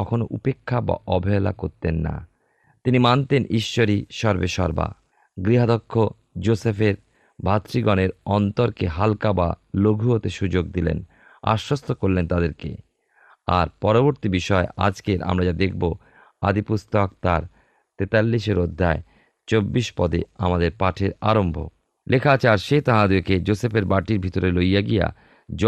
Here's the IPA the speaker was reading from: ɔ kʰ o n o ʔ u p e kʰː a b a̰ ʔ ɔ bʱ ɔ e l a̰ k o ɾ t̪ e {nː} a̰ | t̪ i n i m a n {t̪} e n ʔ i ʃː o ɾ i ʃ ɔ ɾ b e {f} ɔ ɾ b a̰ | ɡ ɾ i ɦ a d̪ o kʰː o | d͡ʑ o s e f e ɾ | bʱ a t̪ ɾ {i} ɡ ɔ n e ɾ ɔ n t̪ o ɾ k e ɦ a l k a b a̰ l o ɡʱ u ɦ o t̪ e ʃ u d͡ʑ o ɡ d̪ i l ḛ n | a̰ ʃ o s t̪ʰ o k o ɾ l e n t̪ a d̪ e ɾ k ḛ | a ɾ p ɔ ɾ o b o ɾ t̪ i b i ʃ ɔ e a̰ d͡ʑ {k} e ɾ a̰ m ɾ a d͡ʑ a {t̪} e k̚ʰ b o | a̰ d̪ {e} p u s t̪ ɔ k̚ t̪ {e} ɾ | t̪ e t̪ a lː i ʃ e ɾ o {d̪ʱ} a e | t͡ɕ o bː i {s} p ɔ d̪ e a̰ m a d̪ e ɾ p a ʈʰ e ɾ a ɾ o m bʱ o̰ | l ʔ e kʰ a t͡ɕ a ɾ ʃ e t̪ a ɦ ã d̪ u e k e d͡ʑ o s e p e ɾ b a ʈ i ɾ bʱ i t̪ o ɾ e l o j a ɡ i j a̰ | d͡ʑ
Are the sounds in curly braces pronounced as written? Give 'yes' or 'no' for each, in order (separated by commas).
yes, yes, no, yes, yes, no, no, no, no, no